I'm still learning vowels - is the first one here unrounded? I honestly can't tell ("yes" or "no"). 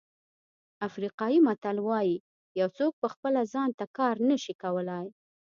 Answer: yes